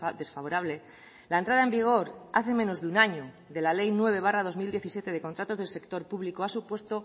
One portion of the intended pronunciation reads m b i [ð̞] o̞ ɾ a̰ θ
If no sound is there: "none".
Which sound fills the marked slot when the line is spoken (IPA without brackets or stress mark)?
ɣ̞